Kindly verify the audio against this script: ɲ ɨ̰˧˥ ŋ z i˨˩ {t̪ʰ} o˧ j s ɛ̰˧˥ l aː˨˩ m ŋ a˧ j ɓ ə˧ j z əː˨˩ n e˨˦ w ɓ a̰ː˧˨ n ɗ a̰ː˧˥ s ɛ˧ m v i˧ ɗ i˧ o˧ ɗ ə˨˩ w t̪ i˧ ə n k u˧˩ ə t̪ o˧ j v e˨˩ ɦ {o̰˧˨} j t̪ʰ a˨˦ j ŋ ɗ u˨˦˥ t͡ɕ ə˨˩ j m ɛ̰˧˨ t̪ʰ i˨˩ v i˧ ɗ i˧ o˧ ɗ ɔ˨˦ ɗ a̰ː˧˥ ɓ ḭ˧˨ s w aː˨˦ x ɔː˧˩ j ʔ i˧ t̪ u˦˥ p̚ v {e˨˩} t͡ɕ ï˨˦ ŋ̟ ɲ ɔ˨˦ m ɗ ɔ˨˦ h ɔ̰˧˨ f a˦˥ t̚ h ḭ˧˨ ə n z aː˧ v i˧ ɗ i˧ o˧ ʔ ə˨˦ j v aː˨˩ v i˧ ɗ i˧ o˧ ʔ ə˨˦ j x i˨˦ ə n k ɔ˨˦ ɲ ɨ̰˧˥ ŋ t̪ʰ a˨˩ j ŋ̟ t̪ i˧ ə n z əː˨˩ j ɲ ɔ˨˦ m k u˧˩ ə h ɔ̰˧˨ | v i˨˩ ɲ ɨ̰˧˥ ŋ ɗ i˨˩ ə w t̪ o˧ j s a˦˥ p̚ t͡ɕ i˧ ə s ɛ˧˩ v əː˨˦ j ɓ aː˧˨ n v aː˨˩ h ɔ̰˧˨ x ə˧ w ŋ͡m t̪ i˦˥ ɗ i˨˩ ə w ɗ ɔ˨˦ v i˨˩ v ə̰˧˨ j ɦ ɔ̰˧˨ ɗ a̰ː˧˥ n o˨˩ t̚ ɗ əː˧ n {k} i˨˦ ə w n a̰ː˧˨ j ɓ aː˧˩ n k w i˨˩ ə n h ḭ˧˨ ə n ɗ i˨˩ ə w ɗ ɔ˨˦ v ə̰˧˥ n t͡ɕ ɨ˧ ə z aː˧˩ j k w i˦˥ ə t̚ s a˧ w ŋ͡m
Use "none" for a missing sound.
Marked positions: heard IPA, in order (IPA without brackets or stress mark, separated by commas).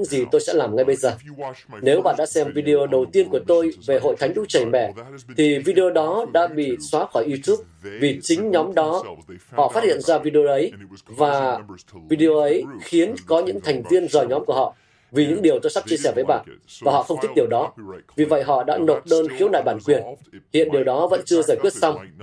t̪, o̰˧˨, i˨˩, x